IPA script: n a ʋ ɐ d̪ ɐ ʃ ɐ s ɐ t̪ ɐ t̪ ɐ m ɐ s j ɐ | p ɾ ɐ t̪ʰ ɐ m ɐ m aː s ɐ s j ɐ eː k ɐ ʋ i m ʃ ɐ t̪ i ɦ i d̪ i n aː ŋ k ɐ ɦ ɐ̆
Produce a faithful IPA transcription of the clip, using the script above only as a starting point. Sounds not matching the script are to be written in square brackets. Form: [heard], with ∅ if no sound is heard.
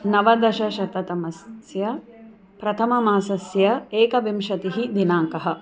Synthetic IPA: n [ɐ] ʋ ɐ d̪ ɐ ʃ ɐ [ʃ] ɐ t̪ ɐ t̪ ɐ m ɐ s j ɐ | p ɾ ɐ t̪ʰ ɐ m ɐ m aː s ɐ s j ɐ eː k ɐ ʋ i m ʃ ɐ t̪ i ɦ i d̪ i n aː ŋ k ɐ ɦ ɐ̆